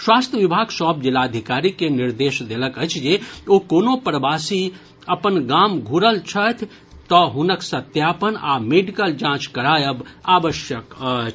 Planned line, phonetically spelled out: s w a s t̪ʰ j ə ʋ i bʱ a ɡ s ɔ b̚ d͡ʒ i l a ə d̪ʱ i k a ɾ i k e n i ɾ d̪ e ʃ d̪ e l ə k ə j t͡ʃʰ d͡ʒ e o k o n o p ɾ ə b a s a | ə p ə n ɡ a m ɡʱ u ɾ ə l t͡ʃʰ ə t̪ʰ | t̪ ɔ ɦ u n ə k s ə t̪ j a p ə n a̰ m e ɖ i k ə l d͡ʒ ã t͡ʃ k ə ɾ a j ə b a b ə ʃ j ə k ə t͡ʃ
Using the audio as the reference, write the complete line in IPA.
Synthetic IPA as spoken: s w a s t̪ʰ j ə ʋ i bʱ a ɡ s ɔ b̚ d͡ʒ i l a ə d̪ʱ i k a ɾ i k e n i ɾ d̪ e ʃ d̪ e l ə k ə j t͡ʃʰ d͡ʒ e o k o n o p ɾ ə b a s i | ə p ə n ɡ a m ɡʱ u ɾ ə l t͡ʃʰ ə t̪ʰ | t̪ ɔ ɦ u n ə k s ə t̪ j a p ə n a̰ m e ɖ i k ə l d͡ʒ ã t͡ʃ k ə ɾ a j ə b a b ə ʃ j ə k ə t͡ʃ